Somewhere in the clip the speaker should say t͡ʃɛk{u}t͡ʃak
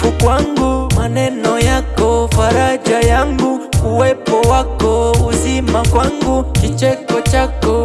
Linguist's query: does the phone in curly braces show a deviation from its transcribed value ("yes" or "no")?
yes